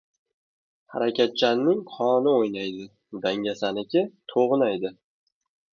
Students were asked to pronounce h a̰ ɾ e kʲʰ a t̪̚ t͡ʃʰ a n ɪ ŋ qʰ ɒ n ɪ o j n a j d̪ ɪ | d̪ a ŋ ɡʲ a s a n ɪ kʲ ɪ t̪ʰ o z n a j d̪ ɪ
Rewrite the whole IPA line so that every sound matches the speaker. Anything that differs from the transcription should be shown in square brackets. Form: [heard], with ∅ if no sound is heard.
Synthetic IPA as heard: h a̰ ɾ [a] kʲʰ a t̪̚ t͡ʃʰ a [nː] ɪ ŋ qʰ ɒ n ɪ o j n a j d̪ ɪ | d̪ a ŋ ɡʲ a s a n ɪ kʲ ɪ t̪ʰ o [ʁ] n a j d̪ ɪ